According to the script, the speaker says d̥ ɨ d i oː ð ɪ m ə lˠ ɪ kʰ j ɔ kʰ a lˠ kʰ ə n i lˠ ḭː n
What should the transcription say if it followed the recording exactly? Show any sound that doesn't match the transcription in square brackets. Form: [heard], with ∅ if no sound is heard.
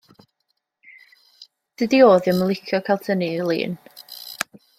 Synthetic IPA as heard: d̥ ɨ d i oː ð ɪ m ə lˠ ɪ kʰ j ɔ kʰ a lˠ [tʰ] ə n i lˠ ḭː n